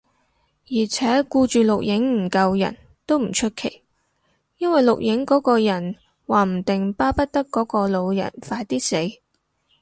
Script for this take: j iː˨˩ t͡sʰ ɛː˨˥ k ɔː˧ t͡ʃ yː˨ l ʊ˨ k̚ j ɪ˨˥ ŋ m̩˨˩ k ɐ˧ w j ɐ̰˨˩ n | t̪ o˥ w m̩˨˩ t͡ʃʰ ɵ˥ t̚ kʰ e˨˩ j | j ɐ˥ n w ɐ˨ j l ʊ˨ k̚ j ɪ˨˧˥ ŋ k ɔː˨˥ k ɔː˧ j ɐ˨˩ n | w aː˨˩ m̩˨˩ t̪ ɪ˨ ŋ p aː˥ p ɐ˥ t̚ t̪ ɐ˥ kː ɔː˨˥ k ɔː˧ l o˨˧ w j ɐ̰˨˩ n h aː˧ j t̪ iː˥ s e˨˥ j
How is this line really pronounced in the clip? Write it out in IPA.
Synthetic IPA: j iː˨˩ t͡sʰ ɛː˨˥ k uː˧ t͡ʃ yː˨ l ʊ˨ k̚ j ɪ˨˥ ŋ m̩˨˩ k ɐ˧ w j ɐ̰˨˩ n | t̪ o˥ w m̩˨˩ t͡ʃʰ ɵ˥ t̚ kʰ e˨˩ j | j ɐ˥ n w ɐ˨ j l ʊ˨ k̚ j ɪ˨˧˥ ŋ k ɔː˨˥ k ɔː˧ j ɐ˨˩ n | w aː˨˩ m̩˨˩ t̪ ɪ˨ ŋ p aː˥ p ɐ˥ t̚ t̪ ɐ˥ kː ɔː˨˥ k ɔː˧ l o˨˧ w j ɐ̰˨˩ n f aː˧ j t̪ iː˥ s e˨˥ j